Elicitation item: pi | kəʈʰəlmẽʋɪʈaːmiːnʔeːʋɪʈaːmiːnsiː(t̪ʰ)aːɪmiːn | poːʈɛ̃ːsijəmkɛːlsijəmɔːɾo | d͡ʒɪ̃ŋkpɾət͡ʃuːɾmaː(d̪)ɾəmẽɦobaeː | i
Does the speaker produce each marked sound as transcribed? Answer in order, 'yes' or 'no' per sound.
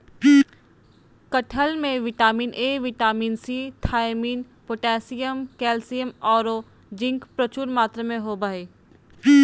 yes, no

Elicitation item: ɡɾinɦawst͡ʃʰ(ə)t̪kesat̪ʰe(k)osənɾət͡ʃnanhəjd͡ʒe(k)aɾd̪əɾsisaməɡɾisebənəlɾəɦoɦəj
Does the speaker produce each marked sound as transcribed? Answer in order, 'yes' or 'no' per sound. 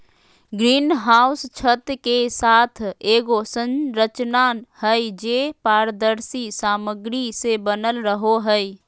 yes, no, no

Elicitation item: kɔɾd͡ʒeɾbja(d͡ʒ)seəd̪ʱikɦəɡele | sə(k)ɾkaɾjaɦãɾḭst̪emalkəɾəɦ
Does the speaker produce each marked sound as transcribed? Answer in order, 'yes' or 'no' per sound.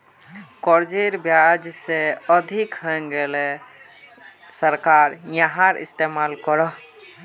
yes, no

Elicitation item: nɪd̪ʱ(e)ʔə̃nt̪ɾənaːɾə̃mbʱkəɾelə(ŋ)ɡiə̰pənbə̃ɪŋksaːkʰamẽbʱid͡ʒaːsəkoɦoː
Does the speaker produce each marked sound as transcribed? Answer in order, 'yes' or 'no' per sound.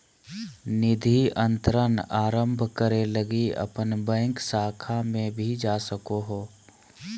no, no

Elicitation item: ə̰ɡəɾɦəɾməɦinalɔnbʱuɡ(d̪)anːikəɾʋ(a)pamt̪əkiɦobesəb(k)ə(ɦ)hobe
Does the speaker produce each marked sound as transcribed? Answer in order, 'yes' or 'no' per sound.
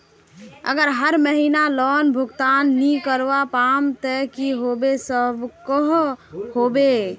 no, yes, yes, yes

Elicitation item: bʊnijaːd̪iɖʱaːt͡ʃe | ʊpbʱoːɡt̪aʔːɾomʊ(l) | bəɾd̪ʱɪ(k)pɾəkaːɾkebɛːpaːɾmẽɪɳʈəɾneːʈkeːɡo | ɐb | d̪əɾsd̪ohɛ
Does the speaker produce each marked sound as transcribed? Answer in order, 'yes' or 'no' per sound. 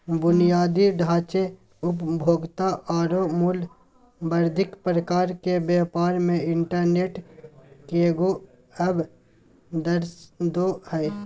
yes, yes

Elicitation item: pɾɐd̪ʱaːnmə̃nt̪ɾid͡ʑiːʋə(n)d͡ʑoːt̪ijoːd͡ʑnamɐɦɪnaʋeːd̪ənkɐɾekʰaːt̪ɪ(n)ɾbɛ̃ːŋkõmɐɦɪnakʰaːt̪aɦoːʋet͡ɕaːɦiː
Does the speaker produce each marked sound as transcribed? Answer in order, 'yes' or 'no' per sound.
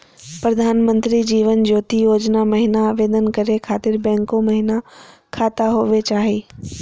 yes, no

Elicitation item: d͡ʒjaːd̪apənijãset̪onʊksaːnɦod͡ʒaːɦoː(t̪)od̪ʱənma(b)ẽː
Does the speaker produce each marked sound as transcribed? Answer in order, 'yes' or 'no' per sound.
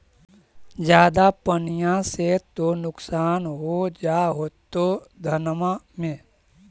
yes, no

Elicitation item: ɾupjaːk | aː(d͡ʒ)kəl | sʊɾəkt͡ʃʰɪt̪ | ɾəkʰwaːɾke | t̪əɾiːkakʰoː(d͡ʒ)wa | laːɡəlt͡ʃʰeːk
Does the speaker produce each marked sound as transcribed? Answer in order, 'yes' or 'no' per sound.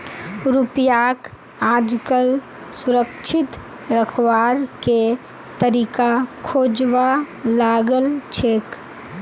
yes, yes

